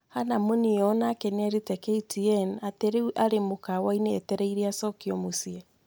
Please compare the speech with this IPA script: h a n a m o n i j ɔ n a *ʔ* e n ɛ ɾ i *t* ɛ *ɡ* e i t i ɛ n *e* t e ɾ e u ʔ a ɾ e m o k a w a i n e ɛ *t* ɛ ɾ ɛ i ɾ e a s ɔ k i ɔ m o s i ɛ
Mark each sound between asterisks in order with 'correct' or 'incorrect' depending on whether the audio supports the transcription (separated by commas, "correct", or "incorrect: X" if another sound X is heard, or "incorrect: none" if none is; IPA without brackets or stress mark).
incorrect: k, correct, incorrect: k, incorrect: a, correct